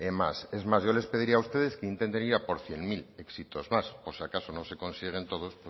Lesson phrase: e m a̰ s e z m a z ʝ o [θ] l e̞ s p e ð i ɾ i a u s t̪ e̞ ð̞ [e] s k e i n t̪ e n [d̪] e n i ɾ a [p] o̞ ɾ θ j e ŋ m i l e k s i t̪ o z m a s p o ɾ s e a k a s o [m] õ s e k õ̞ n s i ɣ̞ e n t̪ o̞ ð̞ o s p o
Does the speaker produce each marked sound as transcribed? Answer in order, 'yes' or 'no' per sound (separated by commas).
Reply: no, yes, no, yes, no